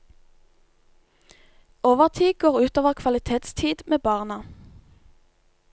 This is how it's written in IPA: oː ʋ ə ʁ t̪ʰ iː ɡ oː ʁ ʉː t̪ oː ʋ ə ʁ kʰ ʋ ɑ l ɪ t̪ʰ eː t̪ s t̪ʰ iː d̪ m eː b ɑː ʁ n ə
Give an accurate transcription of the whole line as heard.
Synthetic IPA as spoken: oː ʋ ə ʁ t̪ʰ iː ɡ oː ʁ ʉː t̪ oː ʋ ə ʁ kʰ ʋ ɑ l ɪ t̪ʰ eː t̪ s t̪ʰ iː d̪ m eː b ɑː ʁ n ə